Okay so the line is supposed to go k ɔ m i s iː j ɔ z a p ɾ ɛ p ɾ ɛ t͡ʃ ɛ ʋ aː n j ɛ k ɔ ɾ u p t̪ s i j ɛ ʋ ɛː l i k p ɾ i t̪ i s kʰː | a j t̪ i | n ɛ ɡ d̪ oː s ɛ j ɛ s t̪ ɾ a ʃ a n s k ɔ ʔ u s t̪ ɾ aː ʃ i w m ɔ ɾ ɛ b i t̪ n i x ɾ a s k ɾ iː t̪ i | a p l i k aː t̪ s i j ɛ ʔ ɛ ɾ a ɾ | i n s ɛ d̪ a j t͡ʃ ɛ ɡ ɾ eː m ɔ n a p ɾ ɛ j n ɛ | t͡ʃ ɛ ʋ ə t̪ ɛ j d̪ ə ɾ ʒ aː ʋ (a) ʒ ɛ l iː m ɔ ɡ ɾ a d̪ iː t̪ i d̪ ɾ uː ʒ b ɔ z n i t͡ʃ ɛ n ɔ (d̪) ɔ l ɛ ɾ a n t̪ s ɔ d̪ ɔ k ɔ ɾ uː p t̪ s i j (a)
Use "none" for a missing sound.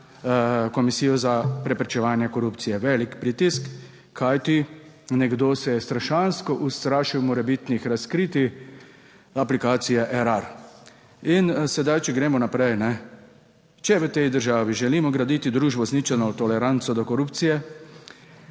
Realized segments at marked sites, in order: i, t̪, ɛ

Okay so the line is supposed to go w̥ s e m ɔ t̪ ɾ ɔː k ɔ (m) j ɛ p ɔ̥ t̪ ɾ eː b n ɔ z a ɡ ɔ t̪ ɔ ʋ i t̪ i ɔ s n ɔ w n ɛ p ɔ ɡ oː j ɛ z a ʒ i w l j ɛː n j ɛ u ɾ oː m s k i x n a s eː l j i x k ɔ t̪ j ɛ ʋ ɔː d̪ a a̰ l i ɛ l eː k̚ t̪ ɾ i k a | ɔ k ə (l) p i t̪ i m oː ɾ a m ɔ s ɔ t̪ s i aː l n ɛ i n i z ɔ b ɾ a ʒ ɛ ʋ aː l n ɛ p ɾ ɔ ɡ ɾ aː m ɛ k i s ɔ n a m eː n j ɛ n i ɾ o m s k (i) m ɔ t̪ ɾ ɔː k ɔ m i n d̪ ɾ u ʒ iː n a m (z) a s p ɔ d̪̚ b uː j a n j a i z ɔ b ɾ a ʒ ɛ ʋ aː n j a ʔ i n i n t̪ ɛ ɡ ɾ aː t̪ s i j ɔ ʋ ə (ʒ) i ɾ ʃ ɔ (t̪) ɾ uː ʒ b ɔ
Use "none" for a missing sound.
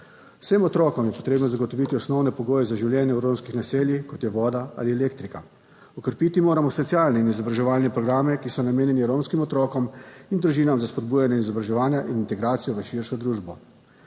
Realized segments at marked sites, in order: m, ɾ, i, z, ʃ, d̪

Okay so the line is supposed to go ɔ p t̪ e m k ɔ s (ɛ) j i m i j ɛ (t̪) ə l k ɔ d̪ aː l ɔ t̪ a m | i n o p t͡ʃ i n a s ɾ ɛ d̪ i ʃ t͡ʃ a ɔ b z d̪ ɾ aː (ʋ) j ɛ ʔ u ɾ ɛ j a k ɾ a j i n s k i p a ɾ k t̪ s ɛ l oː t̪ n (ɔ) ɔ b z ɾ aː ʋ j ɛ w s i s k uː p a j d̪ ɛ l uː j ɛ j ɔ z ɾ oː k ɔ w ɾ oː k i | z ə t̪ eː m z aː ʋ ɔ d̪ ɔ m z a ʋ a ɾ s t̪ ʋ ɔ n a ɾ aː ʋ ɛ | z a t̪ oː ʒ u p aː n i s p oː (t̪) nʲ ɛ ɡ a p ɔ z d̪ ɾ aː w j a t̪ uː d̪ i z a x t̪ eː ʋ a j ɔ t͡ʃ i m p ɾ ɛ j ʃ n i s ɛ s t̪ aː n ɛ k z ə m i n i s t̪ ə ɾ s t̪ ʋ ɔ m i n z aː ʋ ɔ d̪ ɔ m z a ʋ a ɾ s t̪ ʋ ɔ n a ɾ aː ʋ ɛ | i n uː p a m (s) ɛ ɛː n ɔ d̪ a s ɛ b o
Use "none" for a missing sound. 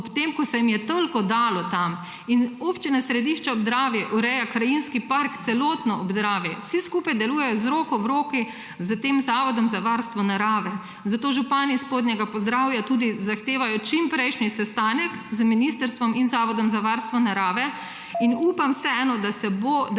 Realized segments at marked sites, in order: ɛ, t̪, ʋ, ɔ, d̪, s

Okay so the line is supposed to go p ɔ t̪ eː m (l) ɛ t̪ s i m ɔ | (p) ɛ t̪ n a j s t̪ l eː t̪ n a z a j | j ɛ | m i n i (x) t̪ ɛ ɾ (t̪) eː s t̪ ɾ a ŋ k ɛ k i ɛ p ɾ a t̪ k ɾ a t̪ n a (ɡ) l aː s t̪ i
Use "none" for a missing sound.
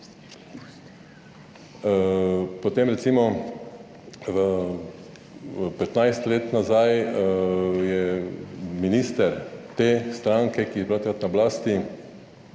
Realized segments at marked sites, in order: ɾ, p, s, t̪, b

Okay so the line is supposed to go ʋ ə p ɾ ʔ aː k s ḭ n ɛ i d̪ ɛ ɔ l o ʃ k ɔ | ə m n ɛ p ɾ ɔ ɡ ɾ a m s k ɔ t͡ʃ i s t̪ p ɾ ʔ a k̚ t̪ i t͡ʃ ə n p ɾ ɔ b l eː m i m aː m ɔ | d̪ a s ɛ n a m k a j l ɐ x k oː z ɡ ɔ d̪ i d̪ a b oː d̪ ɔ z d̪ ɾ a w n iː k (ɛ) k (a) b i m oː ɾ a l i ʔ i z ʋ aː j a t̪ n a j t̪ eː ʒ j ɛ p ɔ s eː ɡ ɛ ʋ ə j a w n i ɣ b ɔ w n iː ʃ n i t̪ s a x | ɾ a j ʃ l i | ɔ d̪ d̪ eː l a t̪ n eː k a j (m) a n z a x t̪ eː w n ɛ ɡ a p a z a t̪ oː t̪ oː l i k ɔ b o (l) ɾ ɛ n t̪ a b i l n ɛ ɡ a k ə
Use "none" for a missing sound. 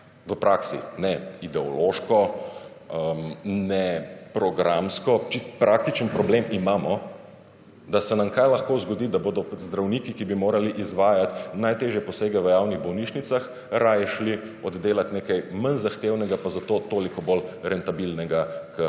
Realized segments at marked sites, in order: i, i, m, l

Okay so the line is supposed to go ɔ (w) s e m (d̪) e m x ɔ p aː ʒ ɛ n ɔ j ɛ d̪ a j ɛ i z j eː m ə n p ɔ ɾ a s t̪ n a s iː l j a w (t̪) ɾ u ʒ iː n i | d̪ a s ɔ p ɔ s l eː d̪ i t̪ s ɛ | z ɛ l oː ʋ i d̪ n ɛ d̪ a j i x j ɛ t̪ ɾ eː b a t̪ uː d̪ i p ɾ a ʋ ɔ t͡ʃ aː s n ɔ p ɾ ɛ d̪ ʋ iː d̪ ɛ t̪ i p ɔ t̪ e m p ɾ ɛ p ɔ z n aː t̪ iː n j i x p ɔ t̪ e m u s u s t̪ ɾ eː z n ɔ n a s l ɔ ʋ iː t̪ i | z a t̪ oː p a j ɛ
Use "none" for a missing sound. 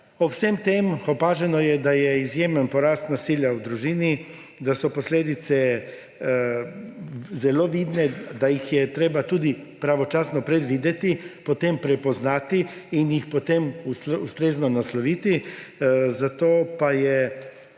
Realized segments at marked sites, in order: w, t̪, d̪

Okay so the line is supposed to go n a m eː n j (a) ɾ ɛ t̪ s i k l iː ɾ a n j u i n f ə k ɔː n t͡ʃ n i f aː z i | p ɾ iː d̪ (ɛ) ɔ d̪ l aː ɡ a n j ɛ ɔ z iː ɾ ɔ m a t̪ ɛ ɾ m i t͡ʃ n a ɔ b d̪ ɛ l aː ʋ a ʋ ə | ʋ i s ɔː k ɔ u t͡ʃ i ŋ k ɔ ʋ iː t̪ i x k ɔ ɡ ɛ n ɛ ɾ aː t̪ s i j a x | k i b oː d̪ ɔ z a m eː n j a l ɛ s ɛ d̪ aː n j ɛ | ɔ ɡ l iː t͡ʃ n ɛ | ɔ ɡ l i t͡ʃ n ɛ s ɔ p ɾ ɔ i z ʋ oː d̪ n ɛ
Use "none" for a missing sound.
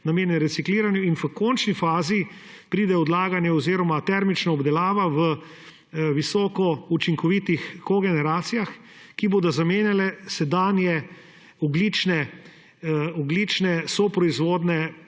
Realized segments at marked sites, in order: ɛ, ɛ

